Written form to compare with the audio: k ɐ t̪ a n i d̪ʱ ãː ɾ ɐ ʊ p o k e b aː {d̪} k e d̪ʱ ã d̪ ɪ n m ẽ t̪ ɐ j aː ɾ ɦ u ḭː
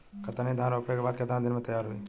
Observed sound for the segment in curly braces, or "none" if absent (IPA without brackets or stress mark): d̪